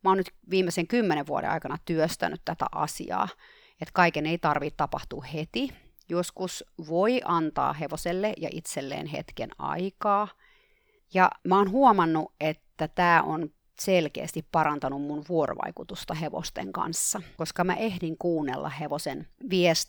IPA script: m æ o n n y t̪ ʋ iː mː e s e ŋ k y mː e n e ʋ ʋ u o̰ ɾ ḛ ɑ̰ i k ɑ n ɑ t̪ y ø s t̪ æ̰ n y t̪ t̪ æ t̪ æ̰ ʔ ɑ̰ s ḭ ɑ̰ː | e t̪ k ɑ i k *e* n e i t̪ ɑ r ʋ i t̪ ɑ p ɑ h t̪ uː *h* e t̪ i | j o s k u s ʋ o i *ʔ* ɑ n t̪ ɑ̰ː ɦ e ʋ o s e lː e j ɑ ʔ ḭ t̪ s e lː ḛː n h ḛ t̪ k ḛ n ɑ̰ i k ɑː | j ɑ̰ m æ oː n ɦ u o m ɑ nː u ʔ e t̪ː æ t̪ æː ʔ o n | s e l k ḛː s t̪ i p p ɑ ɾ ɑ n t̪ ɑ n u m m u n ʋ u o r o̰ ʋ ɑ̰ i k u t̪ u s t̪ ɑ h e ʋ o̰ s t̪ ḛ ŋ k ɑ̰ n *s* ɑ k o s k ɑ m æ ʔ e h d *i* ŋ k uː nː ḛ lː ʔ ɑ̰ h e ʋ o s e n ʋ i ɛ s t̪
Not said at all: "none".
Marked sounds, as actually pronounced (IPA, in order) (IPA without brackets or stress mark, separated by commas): e, h, ʔ, sː, i